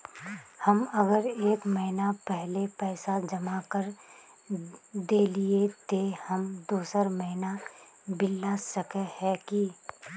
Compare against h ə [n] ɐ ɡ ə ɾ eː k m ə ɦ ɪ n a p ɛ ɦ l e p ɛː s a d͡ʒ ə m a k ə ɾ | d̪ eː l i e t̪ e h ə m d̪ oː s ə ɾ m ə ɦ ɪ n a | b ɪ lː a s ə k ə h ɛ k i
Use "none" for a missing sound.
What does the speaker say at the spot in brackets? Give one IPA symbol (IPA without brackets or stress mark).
m